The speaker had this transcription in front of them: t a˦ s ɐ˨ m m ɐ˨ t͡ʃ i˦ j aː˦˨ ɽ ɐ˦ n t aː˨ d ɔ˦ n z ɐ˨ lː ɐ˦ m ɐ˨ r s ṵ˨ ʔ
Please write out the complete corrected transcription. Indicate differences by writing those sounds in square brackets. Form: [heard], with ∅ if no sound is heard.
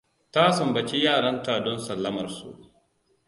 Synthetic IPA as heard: t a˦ s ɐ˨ m [b] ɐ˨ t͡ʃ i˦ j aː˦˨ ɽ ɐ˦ n t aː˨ d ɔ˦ n [s] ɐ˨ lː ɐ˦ m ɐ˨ r s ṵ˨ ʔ